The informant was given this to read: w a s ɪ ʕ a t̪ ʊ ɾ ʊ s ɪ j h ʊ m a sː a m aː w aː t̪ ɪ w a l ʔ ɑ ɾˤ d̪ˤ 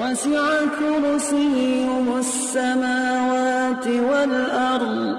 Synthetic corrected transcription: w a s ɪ ʕ a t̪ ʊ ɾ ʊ s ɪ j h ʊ m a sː a m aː w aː t̪ ɪ w a l ʔ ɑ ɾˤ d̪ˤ